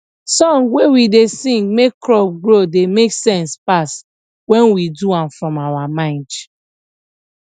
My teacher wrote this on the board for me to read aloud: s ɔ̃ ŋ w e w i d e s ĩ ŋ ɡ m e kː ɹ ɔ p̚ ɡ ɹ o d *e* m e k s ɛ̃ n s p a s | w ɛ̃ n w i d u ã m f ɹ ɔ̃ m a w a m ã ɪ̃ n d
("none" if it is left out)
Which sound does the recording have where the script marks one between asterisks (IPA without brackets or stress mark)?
e